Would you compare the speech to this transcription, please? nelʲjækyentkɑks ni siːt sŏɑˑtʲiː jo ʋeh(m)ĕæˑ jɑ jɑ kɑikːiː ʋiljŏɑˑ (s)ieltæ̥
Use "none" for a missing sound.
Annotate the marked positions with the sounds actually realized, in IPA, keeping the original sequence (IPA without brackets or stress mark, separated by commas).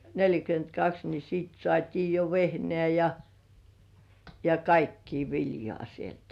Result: n, s